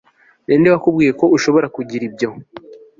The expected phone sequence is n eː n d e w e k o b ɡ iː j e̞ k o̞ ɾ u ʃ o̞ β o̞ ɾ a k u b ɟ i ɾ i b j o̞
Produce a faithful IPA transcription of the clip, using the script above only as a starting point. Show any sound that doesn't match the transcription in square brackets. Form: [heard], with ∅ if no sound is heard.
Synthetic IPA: n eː n d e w [a] k [u] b ɡ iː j e̞ k o̞ [∅] u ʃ o̞ β o̞ ɾ a k u [∅] ɟ i ɾ i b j o̞